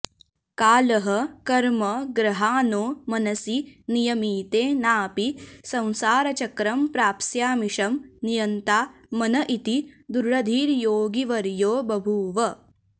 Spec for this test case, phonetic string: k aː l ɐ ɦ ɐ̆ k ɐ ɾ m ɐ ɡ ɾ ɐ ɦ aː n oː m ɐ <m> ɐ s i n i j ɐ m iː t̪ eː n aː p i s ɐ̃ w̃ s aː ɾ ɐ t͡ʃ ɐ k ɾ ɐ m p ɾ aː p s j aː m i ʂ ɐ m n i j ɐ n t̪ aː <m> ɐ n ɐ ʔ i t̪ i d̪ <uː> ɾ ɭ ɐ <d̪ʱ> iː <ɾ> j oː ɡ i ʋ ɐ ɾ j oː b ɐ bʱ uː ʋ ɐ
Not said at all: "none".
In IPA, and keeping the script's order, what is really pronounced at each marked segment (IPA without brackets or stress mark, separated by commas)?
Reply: n, m, u, d̪ʱ, ɾ